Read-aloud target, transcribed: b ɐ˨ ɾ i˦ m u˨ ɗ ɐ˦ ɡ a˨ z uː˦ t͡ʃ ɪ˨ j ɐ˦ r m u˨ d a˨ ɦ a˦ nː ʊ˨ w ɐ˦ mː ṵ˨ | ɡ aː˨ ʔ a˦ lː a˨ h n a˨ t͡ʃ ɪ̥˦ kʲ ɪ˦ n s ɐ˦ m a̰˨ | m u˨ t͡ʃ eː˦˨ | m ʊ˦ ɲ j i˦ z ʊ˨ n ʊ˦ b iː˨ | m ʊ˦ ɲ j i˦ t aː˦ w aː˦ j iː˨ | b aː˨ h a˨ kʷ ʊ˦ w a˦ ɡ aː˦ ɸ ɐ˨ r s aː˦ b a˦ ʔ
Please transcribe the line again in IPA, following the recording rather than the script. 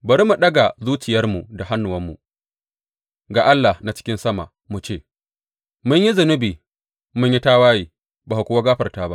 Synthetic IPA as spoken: b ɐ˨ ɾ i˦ m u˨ ɗ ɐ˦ ɡ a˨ z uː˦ t͡ʃ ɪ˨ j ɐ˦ r m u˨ d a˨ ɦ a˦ nː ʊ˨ w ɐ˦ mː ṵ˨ | ɡ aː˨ ʔ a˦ lː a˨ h n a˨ t͡ʃ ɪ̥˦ kʲ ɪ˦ n s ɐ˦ m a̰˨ | m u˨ t͡ʃ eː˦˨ | m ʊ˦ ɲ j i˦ z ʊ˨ n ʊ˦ b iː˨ | m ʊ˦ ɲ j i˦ t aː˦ w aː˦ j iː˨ | b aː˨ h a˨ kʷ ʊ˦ w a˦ ɡ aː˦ ɸ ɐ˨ r t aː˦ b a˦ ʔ